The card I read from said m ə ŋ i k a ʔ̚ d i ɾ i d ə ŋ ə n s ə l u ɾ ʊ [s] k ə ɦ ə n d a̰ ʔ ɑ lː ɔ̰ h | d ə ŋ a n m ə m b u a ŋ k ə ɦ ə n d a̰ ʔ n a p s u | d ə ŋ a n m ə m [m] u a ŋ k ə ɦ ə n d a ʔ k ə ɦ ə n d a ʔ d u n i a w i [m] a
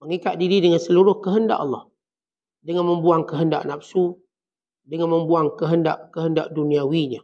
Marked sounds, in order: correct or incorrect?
incorrect: h, incorrect: b, incorrect: ɲ

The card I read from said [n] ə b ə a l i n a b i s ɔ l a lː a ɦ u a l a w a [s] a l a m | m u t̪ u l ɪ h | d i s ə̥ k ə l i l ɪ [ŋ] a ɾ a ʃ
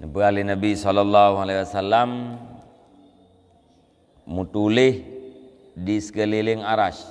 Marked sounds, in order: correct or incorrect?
correct, correct, correct

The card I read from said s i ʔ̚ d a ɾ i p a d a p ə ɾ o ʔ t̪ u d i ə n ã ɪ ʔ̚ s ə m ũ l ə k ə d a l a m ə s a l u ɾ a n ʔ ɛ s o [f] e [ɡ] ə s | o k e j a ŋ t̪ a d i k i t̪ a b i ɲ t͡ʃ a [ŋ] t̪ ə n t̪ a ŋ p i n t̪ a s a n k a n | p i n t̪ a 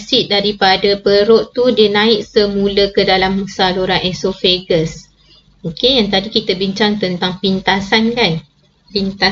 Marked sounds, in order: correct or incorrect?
correct, correct, correct

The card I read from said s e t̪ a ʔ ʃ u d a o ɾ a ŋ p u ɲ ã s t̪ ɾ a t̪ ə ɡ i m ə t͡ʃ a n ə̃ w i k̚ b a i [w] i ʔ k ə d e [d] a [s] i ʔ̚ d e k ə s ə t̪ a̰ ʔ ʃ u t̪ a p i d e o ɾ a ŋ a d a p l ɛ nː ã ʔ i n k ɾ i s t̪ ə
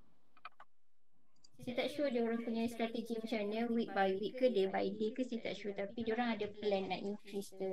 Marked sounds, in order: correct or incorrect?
correct, incorrect: b, incorrect: none

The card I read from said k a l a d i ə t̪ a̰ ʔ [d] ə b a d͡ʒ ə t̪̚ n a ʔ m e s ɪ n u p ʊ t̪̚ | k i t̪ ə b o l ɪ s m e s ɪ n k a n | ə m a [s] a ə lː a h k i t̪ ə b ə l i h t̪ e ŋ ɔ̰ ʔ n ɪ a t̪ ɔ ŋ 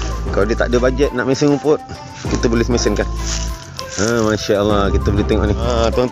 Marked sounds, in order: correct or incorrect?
correct, incorrect: ʃ

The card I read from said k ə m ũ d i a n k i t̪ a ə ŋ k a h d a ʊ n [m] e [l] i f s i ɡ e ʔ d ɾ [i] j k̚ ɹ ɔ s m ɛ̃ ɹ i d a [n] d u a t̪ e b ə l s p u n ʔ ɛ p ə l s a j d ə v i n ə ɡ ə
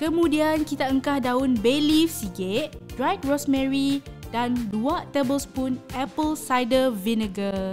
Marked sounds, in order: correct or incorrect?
incorrect: b, correct, incorrect: a, correct

